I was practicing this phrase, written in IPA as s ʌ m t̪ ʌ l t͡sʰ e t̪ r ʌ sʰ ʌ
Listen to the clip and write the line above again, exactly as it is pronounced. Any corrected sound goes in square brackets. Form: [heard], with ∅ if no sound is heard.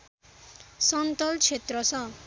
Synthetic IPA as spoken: s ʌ [n] t̪ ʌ l t͡sʰ e t̪ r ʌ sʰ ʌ